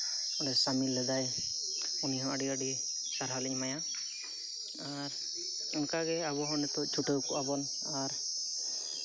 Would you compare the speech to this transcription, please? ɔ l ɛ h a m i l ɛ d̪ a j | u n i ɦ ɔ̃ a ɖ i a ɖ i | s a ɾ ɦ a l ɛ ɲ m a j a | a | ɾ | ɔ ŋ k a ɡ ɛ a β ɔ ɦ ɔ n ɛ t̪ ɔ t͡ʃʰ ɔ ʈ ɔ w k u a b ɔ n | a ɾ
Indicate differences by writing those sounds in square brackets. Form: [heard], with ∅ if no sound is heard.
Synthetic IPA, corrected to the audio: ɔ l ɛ [s] a m i l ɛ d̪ a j | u n i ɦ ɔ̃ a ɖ i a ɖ i | s a ɾ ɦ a l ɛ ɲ m a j a | a | ɾ | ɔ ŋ k a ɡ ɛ a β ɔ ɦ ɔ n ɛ t̪ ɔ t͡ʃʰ [u] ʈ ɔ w k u a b ɔ n | a ɾ